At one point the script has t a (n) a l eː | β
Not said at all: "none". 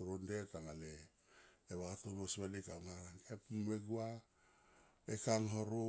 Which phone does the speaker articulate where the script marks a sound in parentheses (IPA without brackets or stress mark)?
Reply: ŋ